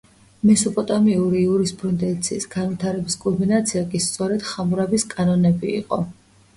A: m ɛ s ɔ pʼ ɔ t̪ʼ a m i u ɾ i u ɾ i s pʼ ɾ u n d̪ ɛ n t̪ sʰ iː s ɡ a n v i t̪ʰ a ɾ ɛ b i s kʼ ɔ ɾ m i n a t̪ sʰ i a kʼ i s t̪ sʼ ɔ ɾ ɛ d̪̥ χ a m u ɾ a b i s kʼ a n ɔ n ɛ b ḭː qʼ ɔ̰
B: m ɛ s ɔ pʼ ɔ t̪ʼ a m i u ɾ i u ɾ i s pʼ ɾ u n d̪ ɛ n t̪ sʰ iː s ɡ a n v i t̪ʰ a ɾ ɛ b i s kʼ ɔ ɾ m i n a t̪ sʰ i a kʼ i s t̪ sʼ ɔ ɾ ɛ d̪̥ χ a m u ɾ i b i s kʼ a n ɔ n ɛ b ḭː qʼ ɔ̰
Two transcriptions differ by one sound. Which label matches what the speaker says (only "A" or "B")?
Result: A